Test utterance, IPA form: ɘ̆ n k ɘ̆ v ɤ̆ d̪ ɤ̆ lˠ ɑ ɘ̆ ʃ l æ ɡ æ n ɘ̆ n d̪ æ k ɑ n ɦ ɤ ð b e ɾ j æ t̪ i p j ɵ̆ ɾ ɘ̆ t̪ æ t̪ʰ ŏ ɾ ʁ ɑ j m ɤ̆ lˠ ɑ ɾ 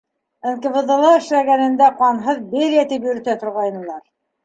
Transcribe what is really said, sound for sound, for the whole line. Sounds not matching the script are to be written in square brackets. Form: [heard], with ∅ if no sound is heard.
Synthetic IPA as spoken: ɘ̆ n k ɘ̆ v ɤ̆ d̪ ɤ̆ lˠ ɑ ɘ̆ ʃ l æ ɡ æ n ɘ̆ n d̪ æ [q] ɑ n ɦ ɤ ð b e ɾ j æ t̪ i p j ɵ̆ ɾ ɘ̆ t̪ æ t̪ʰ ŏ ɾ ʁ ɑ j [n] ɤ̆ lˠ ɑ ɾ